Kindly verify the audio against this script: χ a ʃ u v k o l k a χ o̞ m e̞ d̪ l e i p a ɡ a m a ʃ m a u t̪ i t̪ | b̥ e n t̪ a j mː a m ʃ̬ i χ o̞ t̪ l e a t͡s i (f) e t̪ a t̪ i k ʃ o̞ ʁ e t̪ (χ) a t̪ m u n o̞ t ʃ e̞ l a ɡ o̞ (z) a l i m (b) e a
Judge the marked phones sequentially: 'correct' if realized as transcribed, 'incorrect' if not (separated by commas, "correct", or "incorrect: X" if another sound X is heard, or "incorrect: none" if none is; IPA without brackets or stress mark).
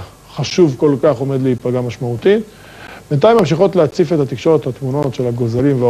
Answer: correct, incorrect: h, correct, incorrect: v